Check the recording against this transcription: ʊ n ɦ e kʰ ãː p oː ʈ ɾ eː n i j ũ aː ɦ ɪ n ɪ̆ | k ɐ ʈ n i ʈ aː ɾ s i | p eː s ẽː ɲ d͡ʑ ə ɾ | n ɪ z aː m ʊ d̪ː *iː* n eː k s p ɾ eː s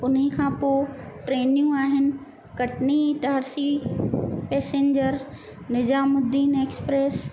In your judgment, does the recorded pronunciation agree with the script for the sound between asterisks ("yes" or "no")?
yes